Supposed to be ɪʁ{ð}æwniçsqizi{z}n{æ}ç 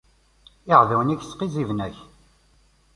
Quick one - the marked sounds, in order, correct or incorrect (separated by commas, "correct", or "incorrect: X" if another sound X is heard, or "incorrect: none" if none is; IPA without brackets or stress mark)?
correct, incorrect: v, correct